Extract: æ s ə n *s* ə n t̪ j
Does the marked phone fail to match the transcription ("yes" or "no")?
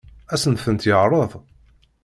yes